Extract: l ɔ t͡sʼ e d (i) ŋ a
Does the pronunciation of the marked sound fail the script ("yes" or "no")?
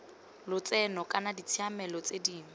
yes